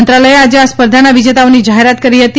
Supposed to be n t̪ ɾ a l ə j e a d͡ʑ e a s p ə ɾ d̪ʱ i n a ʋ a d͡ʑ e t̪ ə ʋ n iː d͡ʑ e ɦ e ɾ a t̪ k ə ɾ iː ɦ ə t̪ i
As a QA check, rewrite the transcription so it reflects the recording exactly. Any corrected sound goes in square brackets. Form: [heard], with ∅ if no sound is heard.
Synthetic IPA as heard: n t̪ ɾ a l ə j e a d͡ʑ e a s p ə ɾ d̪ʱ [a] n a ʋ [i] d͡ʑ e t̪ [a] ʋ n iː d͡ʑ [a] ɦ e ɾ a t̪ k ə ɾ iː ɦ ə t̪ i